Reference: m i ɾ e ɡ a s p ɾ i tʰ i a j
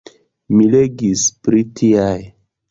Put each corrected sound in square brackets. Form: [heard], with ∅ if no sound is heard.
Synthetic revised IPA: m i [l] e ɡ [i] s p ɾ i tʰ i a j